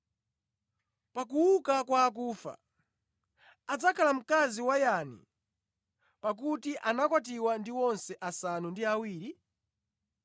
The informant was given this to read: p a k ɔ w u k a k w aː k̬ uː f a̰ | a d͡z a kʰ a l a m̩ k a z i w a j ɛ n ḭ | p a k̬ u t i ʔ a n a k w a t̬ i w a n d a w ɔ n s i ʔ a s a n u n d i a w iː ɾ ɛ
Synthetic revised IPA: p a k u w u k a k w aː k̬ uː f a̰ | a d͡z a kʰ a l a m̩ k a z i w a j a n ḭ | p a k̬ u t i ʔ a n a k w a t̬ i w a n d i w ɔ n s ɛ ʔ a s a n u n d i a w iː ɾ i